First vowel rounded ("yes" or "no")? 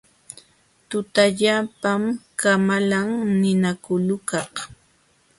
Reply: yes